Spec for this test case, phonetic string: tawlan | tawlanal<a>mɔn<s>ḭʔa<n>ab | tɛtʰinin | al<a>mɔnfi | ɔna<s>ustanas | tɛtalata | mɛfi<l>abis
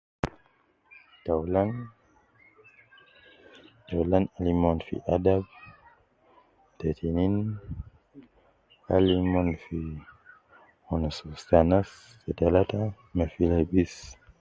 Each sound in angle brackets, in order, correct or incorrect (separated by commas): incorrect, incorrect, incorrect, incorrect, correct, correct